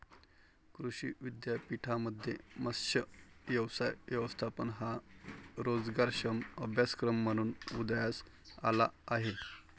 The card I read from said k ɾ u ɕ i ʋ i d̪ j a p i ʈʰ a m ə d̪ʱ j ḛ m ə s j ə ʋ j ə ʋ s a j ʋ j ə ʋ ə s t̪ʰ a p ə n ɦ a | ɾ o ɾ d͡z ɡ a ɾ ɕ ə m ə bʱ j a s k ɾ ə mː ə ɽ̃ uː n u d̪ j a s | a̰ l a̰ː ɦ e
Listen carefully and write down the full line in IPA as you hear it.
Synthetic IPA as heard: k ɾ u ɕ i ʋ i d̪ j a p i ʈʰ a m ə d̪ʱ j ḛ m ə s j ə ʋ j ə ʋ s a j ʋ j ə ʋ ə s t̪ʰ a p ə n ɦ a | ɾ o d͡z ɡ a ɾ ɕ ə m ə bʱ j a s k ɾ ə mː ə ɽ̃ uː n u d̪ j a s | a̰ l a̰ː ɦ e